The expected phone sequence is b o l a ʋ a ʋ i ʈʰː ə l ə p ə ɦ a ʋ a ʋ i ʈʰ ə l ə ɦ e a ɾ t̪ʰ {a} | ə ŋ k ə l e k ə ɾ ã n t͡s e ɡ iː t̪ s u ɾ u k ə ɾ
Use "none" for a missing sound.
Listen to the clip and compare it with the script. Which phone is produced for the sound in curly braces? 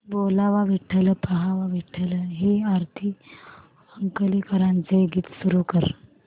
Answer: i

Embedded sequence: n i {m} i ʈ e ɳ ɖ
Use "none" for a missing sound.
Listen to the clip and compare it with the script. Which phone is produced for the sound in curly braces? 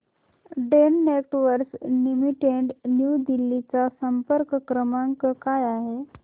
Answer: m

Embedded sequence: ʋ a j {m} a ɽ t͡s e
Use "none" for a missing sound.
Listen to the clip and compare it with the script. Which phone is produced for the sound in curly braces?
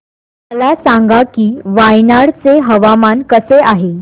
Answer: n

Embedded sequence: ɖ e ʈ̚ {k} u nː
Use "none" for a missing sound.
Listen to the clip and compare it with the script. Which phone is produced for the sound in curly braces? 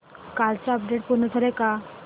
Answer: p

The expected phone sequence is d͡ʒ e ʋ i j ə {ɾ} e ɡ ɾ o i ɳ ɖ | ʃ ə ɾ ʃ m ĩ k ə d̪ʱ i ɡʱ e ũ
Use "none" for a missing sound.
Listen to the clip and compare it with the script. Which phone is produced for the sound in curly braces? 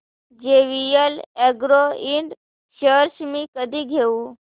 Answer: l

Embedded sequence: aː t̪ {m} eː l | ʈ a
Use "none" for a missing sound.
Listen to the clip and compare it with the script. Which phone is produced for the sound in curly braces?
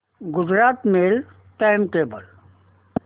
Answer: m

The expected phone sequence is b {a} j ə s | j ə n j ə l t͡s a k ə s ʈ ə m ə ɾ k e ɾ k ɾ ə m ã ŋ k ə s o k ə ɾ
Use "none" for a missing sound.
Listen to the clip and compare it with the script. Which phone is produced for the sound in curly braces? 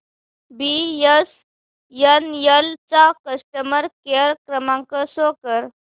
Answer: i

